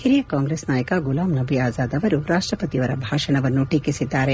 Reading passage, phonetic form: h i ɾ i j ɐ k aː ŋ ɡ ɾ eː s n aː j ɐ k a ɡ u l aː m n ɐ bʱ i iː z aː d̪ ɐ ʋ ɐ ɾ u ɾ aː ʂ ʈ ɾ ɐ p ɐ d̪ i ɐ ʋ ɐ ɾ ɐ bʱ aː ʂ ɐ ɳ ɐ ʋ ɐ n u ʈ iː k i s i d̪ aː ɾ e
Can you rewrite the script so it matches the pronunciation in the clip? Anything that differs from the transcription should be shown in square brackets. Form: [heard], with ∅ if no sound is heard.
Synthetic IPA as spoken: h i ɾ i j ɐ k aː ŋ ɡ ɾ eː s n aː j ɐ k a ɡ u l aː m n ɐ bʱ i [aː] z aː d̪ ɐ ʋ ɐ ɾ u ɾ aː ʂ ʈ ɾ ɐ p ɐ [t̪] i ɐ ʋ ɐ ɾ ɐ bʱ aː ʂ ɐ ɳ ɐ ʋ ɐ [nː] u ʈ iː k i s i [d̪ː] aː ɾ e